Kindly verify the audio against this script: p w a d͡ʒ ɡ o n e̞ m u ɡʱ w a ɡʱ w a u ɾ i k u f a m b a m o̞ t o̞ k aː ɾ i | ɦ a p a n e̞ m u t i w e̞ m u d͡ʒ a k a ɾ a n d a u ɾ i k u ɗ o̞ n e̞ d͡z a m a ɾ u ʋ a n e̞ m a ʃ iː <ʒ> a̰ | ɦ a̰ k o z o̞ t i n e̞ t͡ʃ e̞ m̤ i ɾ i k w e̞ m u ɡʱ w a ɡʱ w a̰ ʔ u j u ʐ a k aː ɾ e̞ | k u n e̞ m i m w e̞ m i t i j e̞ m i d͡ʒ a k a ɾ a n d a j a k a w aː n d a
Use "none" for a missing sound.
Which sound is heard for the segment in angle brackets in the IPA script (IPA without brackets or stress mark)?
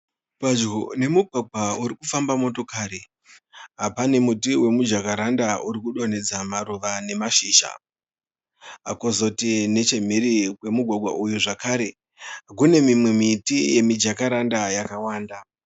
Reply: ʃ